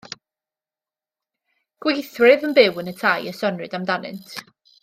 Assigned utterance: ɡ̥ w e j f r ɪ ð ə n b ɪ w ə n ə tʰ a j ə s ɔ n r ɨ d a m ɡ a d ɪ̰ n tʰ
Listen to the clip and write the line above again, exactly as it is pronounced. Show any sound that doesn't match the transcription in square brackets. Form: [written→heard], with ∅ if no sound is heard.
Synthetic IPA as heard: ɡ̥ w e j [f→θ] r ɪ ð ə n b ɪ w ə n ə tʰ a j ə s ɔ n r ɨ d a m [ɡ→d] a [d→n] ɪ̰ n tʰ